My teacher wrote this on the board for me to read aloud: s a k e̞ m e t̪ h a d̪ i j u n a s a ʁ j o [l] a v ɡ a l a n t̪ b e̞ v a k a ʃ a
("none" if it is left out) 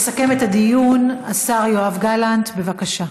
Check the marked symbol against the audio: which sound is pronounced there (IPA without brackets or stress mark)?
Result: none